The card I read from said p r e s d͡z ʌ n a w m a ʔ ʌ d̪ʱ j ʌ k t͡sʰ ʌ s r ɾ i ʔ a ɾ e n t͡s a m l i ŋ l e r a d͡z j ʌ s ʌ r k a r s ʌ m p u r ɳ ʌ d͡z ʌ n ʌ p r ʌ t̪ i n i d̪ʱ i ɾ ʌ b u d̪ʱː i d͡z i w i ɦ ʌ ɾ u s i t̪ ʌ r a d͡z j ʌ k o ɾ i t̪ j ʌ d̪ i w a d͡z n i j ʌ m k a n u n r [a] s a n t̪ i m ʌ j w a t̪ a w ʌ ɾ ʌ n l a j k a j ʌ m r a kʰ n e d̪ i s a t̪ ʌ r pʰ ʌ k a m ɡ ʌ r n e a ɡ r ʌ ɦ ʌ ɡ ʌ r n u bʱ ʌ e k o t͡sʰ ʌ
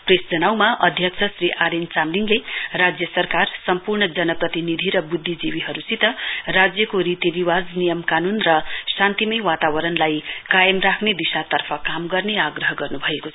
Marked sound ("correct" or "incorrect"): incorrect